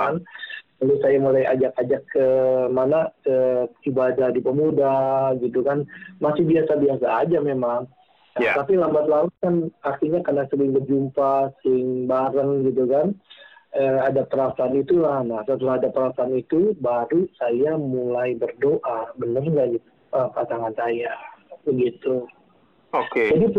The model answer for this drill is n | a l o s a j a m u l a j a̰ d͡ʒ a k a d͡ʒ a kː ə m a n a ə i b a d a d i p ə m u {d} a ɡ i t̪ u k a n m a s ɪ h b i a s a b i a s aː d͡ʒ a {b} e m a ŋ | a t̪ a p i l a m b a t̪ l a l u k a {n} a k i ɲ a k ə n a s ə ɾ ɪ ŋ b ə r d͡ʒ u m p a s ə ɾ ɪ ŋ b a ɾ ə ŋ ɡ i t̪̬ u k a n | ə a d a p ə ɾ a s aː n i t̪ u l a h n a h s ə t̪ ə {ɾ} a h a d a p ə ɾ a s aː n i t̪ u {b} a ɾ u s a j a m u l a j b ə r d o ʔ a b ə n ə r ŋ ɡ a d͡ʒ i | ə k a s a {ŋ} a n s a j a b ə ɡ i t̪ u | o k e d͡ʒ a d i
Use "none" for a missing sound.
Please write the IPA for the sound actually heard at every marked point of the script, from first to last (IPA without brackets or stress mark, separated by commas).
d, m, n, l, b, ŋ